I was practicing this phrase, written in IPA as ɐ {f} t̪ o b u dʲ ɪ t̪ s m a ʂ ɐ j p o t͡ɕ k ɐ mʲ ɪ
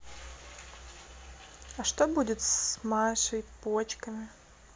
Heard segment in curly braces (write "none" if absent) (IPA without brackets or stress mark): ʂ